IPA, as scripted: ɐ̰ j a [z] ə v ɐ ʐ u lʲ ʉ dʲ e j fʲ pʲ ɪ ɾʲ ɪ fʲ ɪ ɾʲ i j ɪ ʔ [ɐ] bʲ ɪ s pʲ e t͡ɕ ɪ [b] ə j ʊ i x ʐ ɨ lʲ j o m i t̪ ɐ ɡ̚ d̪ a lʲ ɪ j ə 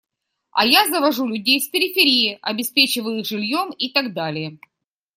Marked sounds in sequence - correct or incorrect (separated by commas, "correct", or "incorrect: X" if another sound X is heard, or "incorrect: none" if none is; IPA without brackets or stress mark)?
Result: correct, correct, incorrect: v